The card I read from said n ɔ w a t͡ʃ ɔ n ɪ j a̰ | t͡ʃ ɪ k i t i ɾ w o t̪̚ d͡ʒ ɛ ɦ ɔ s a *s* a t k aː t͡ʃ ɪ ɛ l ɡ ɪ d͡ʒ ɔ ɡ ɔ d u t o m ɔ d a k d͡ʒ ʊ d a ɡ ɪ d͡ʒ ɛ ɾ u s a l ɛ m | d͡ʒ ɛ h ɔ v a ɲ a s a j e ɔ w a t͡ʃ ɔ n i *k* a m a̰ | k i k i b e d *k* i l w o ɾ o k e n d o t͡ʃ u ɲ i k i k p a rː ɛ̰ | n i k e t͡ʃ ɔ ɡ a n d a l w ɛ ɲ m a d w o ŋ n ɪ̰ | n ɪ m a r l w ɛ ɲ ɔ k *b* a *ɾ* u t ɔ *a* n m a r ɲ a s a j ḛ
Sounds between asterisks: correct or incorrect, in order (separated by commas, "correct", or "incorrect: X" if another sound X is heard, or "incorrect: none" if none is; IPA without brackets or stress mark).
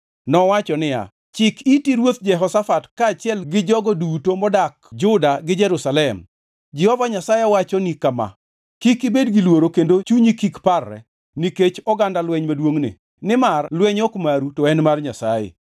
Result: incorrect: f, correct, incorrect: ɡ, incorrect: m, correct, incorrect: ɛ